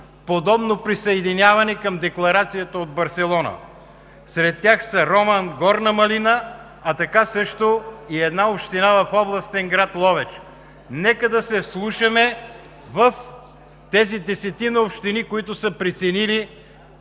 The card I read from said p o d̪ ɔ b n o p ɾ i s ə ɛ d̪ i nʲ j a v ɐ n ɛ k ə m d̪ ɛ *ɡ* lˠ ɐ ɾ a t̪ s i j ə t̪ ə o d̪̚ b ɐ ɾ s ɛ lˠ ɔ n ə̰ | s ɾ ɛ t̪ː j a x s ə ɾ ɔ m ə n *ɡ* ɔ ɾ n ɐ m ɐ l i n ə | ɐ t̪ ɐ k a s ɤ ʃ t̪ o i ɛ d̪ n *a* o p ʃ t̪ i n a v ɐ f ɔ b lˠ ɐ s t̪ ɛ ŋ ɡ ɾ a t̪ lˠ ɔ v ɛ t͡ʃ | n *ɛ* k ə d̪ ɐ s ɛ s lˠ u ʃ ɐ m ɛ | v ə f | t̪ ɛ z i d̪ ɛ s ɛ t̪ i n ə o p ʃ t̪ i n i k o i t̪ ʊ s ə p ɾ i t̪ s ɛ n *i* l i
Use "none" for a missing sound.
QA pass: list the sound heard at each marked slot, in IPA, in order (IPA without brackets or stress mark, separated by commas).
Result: k, ɡ, a, ɛ, i